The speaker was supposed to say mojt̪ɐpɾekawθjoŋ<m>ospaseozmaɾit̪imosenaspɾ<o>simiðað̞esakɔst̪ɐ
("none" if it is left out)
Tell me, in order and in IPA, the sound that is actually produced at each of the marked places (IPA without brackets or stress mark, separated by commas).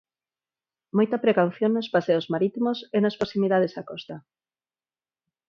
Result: n, o